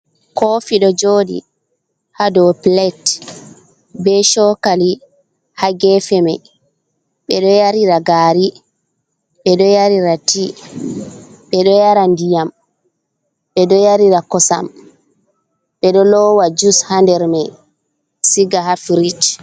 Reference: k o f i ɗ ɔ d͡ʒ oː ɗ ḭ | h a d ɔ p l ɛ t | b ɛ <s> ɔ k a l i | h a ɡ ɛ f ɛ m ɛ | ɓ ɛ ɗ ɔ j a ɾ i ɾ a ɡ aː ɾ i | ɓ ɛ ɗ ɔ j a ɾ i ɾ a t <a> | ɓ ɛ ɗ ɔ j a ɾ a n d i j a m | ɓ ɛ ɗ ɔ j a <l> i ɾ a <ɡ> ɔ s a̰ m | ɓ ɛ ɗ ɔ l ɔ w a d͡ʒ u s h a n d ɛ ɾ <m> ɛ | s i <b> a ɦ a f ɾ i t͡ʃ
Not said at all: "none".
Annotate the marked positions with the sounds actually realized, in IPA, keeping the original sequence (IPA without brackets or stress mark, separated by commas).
ʃ, i, ɾ, k, m, ɡ